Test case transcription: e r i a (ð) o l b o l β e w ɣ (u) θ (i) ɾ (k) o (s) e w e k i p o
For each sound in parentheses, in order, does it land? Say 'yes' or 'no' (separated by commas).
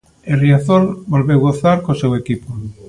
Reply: no, no, no, yes, yes